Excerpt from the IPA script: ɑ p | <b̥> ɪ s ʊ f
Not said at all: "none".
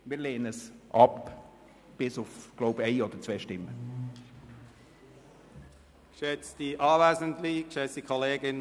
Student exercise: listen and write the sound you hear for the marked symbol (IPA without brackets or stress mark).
b̥